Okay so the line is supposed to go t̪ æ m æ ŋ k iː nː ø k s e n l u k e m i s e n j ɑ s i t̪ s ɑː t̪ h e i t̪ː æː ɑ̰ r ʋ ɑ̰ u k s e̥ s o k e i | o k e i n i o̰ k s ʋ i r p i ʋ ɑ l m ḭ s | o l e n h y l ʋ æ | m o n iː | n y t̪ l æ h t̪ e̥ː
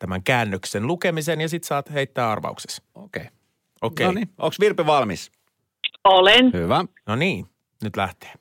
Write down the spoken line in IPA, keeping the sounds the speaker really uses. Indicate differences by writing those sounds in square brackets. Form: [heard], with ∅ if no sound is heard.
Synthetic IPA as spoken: t̪ æ m æ ŋ k [æː] nː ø k s e n l u k e m i s e n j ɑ s i t̪ s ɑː t̪ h e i t̪ː æː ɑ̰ r ʋ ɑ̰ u k s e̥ s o k e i | o k e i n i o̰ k s ʋ i r p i ʋ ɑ l m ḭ s | o l e n h y [∅] ʋ æ | [n] o n iː | n y t̪ l æ h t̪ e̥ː